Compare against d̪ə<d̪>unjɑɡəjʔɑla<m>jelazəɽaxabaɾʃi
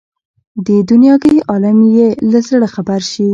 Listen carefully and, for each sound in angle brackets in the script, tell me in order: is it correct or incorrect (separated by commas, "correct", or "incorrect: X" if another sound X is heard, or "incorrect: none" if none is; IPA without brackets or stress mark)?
correct, correct